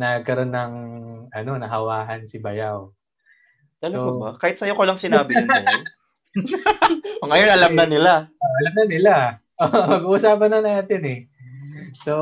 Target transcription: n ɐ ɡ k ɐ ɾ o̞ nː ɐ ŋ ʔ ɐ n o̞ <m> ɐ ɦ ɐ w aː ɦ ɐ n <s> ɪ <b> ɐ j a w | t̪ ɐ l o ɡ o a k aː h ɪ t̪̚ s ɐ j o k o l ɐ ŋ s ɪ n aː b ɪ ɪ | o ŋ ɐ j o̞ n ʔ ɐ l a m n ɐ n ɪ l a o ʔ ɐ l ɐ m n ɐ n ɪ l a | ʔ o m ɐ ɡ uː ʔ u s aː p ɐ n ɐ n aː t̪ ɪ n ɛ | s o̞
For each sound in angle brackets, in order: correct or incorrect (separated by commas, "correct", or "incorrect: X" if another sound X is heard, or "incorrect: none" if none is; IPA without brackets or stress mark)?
incorrect: n, correct, correct